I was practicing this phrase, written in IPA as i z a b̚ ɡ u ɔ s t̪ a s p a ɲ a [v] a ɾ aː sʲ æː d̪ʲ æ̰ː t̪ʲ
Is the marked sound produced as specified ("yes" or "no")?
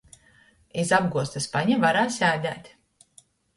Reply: yes